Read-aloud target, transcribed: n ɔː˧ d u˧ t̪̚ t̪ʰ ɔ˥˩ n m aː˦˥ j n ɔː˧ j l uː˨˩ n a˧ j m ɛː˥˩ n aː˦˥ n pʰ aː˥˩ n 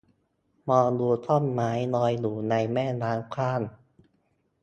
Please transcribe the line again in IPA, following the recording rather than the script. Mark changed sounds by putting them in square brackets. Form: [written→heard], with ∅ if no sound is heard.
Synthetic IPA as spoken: [n→m] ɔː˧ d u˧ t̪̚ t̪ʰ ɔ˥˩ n m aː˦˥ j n ɔː˧ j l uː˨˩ n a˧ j m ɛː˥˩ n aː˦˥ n [pʰ→kʰ] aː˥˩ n